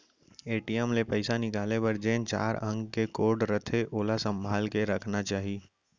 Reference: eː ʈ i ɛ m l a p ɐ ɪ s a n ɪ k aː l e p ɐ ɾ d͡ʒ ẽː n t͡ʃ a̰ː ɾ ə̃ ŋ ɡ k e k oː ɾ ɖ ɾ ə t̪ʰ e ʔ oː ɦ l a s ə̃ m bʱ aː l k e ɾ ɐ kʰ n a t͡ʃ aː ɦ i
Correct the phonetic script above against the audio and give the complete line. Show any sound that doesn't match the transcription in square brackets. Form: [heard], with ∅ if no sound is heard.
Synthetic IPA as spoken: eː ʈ i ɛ m l [e] p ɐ ɪ s a n ɪ k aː l e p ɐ ɾ d͡ʒ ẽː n t͡ʃ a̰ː ɾ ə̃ ŋ ɡ k e k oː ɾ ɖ ɾ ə t̪ʰ e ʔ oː [∅] l a s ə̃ m bʱ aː l k e ɾ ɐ kʰ n a t͡ʃ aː ɦ i